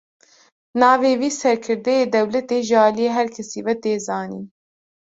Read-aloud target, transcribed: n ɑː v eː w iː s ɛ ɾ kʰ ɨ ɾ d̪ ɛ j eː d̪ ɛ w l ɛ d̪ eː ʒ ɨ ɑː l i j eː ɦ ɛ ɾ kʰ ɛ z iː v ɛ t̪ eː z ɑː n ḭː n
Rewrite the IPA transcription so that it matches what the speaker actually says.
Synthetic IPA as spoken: n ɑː v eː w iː s ɛ ɾ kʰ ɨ ɾ d̪ ɛ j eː d̪ ɛ w l ɛ t̪ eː ʒ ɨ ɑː l i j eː ɦ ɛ ɾ kʰ ɛ s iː v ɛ t̪ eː z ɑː n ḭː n